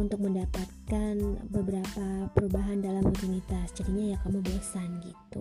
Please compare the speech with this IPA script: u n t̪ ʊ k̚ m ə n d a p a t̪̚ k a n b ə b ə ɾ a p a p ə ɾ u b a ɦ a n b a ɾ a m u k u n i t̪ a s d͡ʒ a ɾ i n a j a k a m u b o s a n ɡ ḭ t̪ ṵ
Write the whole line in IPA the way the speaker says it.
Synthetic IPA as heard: u n t̪ ʊ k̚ m ə n d a p a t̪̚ k a n b ə b ə ɾ a p a p ə ɾ u b a ɦ a n d a l a m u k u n i t̪ a s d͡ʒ a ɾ i ɲ a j a k a m u b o s a n ɡ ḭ t̪ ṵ